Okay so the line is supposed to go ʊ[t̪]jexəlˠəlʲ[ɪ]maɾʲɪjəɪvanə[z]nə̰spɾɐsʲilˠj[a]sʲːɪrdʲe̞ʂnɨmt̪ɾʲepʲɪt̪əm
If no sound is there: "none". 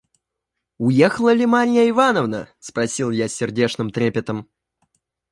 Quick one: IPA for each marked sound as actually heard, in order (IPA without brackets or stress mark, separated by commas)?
none, ɪ, v, a